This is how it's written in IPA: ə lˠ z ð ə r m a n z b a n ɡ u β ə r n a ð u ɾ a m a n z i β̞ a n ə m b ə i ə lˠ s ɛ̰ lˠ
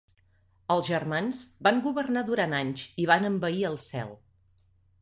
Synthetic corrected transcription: ə lˠ z ʒ ə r m a n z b a ŋ ɡ u β ə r n a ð u ɾ a n a ɲ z i β̞ a n ə m b ə i ə lˠ s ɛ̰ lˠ